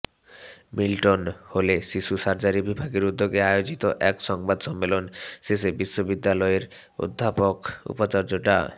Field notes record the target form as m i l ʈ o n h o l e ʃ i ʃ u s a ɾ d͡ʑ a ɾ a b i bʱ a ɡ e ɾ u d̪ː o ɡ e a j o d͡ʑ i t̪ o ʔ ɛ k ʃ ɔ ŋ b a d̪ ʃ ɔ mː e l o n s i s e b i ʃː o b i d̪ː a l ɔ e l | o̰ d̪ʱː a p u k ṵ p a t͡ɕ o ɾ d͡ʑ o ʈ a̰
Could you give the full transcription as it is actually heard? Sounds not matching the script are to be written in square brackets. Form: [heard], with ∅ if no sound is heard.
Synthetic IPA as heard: m i l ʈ o n h o l e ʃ i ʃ u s a ɾ d͡ʑ a ɾ [i] b i bʱ a ɡ e ɾ u d̪ː o ɡ e a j o d͡ʑ i t̪ o ʔ ɛ k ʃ ɔ ŋ b a d̪ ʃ ɔ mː e l o n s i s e b i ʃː o b i d̪ː a l ɔ e [ɾ] | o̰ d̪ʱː a p [o] k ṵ p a t͡ɕ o ɾ d͡ʑ o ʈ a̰